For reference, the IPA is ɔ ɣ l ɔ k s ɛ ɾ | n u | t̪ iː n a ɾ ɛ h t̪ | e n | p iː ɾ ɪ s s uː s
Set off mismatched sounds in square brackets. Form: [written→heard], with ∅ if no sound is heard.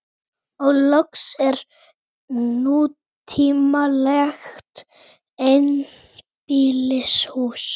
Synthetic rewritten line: ɔ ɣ l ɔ k s ɛ ɾ | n u | [t̪→t̪ʰ] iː [n→m] a [ɾ→l] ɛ [h→x] t̪ | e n | p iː [ɾ→l] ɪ s [s→h] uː s